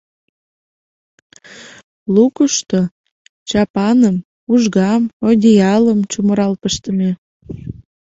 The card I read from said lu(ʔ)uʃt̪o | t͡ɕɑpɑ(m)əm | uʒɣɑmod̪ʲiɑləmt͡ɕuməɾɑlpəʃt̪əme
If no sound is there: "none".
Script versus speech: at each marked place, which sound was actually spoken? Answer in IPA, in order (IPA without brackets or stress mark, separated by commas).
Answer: k, n